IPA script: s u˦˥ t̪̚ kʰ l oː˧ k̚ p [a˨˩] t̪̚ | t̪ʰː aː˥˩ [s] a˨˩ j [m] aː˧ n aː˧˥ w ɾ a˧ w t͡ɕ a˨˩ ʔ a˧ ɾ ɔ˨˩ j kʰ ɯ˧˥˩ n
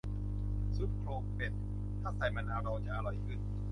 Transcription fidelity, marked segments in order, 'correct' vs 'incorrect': incorrect: e˨˩, correct, correct

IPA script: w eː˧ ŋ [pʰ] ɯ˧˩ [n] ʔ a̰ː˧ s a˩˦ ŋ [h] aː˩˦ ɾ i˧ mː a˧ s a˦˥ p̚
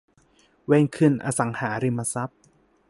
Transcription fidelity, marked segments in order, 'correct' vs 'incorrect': incorrect: kʰ, correct, correct

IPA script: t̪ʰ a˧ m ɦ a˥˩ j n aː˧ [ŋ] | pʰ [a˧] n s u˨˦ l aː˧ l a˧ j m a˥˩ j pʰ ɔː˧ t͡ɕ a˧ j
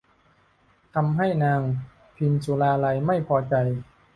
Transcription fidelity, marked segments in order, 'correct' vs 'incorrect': correct, incorrect: i˧

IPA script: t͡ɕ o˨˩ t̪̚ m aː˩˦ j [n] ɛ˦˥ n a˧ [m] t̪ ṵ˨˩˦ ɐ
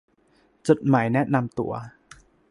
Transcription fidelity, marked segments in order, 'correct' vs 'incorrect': correct, correct

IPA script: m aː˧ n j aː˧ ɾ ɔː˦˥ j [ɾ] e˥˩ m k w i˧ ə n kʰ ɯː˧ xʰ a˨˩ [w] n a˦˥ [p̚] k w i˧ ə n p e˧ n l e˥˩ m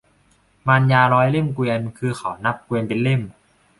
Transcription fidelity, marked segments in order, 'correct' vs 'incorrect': incorrect: l, correct, correct

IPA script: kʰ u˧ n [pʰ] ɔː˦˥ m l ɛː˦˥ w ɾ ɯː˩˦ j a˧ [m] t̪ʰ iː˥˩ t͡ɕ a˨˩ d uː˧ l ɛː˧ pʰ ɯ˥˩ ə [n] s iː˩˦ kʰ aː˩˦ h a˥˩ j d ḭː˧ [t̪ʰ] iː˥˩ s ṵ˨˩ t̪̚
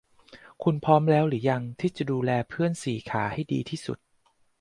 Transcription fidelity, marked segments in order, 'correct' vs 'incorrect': correct, incorrect: ŋ, correct, correct

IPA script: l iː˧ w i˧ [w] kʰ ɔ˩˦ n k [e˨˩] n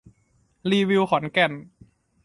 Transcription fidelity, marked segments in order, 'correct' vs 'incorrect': correct, incorrect: ɛ˨˩

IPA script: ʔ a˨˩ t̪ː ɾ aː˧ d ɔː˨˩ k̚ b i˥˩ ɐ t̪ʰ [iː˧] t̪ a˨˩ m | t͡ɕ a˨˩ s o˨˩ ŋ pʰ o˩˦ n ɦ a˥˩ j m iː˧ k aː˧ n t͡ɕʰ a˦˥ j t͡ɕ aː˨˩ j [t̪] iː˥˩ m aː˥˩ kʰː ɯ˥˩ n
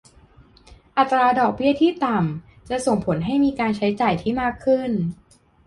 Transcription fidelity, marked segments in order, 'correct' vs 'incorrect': incorrect: iː˥˩, incorrect: t̪ʰ

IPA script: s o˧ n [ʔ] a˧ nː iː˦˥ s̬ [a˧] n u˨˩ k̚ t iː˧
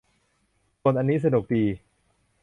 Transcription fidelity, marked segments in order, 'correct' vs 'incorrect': correct, correct

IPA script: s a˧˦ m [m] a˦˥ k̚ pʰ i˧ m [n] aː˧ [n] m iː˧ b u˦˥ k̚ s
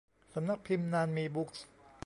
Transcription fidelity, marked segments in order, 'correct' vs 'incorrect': incorrect: n, correct, correct

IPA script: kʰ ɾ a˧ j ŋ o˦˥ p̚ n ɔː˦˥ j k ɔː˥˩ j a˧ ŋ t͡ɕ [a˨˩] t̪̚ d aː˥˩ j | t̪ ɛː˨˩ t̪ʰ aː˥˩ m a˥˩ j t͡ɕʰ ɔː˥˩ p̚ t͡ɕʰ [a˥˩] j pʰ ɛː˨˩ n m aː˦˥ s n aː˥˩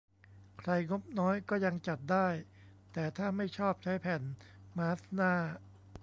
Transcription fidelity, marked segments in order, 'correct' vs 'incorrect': correct, incorrect: a˦˥

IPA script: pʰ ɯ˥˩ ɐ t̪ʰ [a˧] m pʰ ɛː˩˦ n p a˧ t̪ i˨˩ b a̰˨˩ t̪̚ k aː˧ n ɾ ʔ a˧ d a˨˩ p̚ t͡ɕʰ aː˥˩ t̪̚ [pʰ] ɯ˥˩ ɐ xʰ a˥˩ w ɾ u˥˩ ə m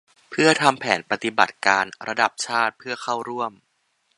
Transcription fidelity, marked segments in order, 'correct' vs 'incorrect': correct, correct

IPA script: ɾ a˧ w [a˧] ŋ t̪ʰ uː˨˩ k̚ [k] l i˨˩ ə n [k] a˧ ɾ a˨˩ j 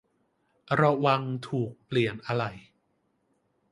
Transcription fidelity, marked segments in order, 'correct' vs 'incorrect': correct, incorrect: p, incorrect: ʔ

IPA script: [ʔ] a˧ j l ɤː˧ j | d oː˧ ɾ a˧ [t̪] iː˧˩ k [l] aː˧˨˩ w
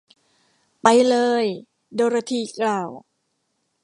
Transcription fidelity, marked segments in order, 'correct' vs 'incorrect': incorrect: p, incorrect: t̪ʰ, correct

